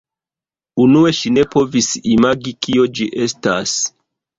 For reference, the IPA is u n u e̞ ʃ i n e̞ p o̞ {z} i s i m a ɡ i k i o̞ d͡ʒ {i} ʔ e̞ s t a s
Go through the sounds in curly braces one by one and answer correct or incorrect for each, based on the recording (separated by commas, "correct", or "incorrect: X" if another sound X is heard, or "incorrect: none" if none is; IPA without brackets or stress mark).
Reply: incorrect: v, correct